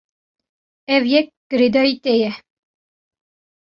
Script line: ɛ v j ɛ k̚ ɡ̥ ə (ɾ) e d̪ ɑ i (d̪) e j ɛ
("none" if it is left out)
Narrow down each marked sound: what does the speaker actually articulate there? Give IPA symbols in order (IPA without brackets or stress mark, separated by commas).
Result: ɾ, t̪